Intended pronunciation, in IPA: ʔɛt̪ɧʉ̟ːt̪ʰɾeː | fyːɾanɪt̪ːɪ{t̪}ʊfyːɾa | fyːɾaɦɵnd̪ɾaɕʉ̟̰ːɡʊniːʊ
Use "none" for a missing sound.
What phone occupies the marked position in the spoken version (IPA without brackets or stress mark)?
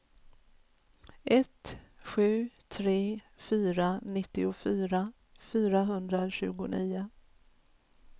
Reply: none